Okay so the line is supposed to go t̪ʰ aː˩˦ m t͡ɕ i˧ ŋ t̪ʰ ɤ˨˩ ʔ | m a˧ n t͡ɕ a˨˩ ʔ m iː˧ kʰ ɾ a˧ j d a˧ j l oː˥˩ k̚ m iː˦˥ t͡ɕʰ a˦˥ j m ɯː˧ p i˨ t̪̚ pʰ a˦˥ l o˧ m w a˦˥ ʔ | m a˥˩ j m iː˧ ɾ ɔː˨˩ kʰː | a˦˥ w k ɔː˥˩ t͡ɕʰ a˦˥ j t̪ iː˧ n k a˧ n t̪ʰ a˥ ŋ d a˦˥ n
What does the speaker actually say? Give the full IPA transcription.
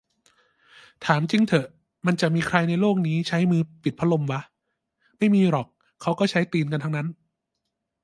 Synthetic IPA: t̪ʰ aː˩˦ m t͡ɕ i˧ ŋ t̪ʰ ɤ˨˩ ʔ | m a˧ n t͡ɕ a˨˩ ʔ m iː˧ kʰ ɾ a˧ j n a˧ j l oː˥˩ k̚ n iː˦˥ t͡ɕʰ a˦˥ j m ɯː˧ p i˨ t̪̚ pʰ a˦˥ l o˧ m w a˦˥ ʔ | m a˥˩ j m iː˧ ɾ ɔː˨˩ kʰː | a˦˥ w k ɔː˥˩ t͡ɕʰ a˦˥ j t̪ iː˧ n k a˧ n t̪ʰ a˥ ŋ n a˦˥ n